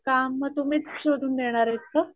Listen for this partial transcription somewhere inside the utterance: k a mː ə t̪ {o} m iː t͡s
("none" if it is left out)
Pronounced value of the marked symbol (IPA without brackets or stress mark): u